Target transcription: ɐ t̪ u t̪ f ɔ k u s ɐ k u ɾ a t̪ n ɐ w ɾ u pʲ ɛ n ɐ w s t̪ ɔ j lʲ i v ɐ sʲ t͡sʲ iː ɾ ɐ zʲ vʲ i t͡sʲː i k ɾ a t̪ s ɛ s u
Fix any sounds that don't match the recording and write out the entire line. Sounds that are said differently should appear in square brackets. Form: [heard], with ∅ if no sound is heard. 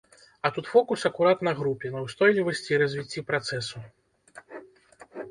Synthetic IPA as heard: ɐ t̪ u t̪ f ɔ k u s ɐ k u ɾ a t̪ n ɐ [ɣ] ɾ u pʲ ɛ n ɐ w s t̪ ɔ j lʲ i v ɐ sʲ t͡sʲ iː ɾ ɐ zʲ vʲ i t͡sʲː i [p] ɾ a t̪ s ɛ s u